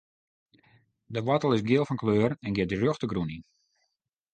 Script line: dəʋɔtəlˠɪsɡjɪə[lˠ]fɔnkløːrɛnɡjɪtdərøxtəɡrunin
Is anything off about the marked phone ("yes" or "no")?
no